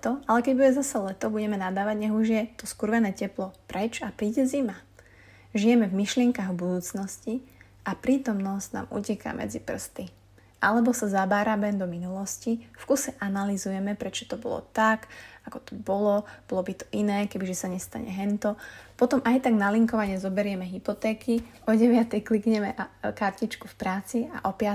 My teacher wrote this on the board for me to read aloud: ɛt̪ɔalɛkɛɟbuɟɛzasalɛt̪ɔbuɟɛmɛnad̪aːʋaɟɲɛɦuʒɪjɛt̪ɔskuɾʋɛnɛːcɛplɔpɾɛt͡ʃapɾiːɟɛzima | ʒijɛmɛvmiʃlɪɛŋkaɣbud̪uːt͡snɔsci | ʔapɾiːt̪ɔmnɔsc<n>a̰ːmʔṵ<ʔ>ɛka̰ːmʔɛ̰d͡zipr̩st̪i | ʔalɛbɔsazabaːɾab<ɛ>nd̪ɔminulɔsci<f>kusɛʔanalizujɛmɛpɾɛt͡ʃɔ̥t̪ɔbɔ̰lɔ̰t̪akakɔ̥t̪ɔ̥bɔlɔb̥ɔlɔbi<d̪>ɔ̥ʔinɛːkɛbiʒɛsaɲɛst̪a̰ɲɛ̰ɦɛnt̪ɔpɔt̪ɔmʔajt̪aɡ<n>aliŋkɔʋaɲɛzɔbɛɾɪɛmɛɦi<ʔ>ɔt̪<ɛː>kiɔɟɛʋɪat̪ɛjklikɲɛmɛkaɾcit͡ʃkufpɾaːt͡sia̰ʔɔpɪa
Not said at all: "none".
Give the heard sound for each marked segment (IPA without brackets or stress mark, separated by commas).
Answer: n, c, ɛ, f, t̪, n, p, ɛː